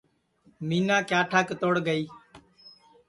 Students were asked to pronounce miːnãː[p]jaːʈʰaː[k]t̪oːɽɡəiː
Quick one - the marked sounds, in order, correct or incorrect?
incorrect: k, correct

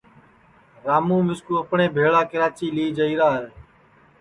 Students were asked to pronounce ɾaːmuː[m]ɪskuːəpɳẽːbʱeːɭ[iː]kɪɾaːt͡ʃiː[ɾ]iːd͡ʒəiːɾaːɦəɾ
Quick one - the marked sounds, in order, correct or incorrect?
correct, incorrect: aː, incorrect: l

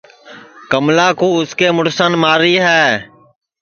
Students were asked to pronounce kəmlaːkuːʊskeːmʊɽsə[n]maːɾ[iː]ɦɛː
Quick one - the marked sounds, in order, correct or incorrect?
correct, correct

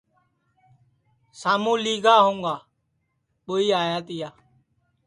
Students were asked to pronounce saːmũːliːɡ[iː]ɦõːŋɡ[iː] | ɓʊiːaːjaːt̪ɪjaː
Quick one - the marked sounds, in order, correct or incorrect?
incorrect: aː, incorrect: aː

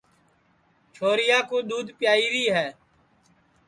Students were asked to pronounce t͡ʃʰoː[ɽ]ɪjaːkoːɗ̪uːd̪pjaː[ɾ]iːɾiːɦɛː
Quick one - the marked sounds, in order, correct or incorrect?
incorrect: ɾ, incorrect: none

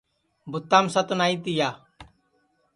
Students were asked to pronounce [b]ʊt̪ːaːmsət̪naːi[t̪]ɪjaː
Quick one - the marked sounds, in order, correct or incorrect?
correct, correct

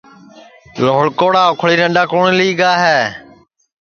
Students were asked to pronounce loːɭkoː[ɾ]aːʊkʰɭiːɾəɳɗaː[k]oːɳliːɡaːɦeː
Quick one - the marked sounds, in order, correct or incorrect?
incorrect: ɽ, correct

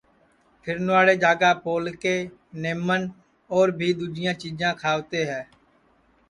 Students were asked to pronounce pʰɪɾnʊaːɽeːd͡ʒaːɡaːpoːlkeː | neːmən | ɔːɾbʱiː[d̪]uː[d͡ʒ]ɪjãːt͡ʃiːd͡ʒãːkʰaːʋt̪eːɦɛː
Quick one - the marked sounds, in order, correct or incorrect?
correct, correct

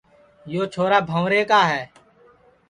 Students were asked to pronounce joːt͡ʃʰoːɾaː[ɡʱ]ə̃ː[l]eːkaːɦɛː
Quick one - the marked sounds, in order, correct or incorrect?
incorrect: bʱ, incorrect: ɾ

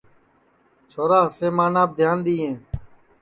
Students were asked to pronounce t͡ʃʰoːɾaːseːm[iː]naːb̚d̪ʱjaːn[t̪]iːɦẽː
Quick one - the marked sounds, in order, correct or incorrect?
incorrect: aː, incorrect: d̪

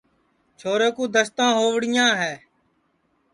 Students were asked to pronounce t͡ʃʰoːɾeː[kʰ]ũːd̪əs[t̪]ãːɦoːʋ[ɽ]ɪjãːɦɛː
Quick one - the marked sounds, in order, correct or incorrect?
incorrect: k, correct, correct

